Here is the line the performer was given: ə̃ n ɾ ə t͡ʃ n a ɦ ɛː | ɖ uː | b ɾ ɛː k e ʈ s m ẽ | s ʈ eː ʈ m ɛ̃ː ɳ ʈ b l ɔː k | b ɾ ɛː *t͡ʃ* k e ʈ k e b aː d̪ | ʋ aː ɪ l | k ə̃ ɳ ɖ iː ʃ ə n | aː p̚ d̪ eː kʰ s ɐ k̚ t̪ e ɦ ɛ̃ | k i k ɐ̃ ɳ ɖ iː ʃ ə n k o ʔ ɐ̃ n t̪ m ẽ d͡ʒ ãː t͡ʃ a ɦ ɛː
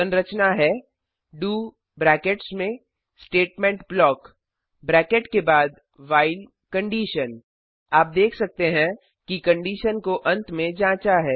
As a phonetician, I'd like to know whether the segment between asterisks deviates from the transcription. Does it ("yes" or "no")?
yes